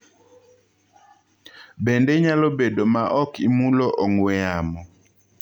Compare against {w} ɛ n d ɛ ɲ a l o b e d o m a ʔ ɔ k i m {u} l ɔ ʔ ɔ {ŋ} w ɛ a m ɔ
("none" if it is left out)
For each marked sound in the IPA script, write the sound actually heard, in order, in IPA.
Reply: b, u, ŋ

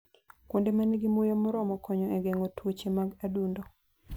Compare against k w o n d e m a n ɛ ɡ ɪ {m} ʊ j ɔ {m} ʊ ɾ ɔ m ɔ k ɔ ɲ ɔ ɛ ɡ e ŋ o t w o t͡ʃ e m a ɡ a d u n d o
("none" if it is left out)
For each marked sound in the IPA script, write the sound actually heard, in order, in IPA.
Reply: m, m

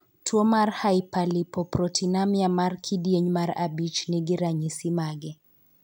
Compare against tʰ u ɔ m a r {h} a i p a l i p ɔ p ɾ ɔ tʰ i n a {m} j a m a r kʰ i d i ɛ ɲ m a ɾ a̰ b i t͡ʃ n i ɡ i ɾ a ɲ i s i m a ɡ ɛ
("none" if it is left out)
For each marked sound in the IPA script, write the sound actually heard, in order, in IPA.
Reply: h, m

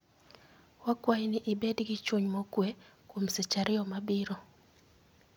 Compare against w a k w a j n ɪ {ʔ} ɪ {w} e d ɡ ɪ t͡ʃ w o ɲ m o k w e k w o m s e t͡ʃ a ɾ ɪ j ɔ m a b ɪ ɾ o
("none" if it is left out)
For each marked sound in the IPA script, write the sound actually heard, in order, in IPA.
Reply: ʔ, b

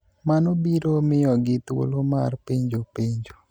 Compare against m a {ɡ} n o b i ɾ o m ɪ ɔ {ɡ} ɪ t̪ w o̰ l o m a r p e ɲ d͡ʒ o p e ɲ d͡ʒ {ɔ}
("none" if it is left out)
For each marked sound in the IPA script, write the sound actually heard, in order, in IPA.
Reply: none, ɡ, o

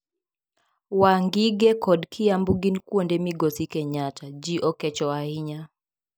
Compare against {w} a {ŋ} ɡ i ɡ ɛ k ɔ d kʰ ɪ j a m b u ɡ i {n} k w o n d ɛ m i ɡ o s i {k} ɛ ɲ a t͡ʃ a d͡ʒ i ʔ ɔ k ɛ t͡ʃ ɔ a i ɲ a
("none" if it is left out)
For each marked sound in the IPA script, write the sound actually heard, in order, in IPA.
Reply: w, ŋ, n, k

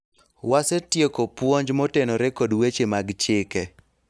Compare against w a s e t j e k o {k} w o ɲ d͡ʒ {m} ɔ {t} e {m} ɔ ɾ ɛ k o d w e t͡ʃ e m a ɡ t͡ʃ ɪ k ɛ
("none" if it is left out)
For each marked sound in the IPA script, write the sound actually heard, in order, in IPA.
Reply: p, m, t, n

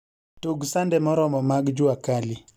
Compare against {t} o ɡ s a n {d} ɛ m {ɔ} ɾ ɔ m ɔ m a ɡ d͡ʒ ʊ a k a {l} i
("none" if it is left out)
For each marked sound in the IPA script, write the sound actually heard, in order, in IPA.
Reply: t, d, ɔ, l

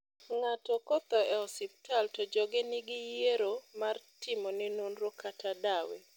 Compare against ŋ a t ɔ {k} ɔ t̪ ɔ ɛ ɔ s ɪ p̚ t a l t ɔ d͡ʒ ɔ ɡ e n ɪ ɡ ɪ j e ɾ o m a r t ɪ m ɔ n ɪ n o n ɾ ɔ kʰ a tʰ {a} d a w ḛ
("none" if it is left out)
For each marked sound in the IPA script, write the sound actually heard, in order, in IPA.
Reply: k, a

